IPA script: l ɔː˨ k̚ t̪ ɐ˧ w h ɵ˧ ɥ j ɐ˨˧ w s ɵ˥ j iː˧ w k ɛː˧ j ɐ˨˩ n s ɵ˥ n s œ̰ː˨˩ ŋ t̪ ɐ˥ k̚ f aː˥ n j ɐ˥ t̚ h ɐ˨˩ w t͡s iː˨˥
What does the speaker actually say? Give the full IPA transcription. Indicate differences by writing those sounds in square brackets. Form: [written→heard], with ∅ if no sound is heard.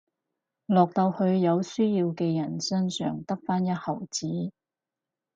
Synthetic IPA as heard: l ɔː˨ k̚ t̪ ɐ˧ w h ɵ˧ ɥ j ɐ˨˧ w s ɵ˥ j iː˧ w k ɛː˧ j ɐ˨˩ n s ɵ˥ n s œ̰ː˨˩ ŋ t̪ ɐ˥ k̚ f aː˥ n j ɐ˥ t̚ h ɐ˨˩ w t͡s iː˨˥